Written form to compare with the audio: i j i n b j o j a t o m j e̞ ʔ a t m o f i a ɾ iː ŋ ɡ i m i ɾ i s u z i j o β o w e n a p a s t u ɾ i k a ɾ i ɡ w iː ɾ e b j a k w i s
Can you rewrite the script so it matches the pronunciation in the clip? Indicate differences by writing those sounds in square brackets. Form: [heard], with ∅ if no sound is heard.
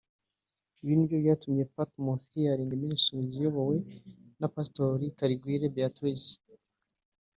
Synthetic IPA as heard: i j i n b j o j a t [u] m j e̞ [p] a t m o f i a ɾ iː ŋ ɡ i m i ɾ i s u z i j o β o w e n a p a s t [o] ɾ i k a ɾ i ɡ w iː ɾ e b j a [t] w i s